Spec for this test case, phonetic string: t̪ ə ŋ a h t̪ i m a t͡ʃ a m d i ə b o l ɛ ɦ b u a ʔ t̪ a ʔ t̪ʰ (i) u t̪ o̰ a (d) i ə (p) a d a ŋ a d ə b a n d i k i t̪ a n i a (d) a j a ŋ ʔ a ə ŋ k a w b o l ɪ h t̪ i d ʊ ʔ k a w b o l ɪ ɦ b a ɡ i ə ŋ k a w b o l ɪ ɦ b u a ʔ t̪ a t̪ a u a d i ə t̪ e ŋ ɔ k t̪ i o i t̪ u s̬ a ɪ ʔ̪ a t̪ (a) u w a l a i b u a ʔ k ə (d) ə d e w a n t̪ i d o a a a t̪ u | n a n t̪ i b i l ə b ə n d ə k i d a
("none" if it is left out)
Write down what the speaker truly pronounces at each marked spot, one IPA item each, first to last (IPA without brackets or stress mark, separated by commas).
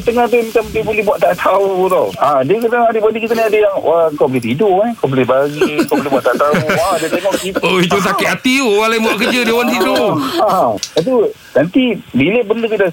a, d, k, d, i, d͡ʒ